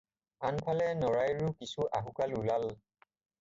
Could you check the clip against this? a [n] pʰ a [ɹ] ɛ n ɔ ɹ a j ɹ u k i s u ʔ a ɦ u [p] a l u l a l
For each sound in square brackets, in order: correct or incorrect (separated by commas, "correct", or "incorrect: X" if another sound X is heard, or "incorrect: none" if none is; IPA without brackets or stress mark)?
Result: correct, incorrect: l, incorrect: k